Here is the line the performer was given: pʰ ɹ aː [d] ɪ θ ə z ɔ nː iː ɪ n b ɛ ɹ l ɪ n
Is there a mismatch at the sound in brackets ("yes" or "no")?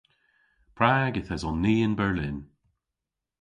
yes